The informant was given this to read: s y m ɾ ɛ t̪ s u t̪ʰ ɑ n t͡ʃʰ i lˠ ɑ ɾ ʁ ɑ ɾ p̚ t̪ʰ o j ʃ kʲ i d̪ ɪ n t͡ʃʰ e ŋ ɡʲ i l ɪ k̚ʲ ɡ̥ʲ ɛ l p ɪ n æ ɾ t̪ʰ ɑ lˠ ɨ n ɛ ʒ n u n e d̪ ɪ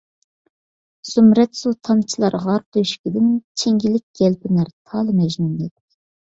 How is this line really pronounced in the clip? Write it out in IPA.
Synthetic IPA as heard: s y m ɾ ɛ t̪ s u t̪ʰ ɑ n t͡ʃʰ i lˠ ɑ ɾ ʁ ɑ ɾ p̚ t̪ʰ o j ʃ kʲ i d̪ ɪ n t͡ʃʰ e ŋ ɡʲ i l ɪ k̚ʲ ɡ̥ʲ ɛ l p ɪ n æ ɾ t̪ʰ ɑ lˠ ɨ m ɛ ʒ n u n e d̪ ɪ